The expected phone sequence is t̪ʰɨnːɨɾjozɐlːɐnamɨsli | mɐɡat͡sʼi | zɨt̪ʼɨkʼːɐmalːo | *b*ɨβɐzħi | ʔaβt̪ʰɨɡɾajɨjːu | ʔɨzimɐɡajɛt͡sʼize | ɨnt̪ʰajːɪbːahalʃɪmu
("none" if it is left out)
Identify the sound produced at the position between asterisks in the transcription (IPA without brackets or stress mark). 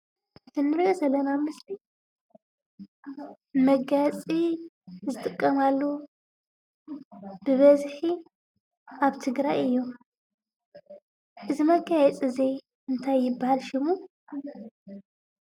b